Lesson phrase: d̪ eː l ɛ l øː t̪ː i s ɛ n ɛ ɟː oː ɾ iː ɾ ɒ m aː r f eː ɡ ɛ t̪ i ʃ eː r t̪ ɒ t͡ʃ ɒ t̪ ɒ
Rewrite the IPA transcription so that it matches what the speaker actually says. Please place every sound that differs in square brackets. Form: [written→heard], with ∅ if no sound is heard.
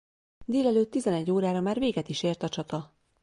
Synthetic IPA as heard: d̪ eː l ɛ l øː t̪ː i [s→z] ɛ n ɛ ɟː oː ɾ [iː→aː] ɾ ɒ m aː r [f→v] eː ɡ ɛ t̪ i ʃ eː r t̪ ɒ t͡ʃ ɒ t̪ ɒ